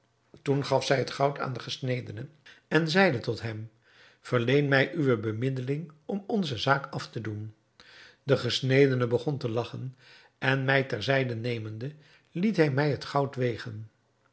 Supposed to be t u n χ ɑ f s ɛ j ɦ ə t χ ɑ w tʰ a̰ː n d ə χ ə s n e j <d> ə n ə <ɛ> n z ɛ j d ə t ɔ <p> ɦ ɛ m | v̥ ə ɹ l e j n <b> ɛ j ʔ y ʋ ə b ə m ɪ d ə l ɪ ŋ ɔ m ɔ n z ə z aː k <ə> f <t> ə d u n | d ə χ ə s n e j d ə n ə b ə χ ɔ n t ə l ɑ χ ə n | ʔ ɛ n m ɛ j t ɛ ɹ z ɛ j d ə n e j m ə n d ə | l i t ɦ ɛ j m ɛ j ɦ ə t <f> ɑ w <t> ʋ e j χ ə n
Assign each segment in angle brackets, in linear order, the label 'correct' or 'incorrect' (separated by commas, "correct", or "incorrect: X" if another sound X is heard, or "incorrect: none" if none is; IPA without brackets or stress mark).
correct, correct, incorrect: t, incorrect: m, incorrect: ɑ, correct, incorrect: χ, correct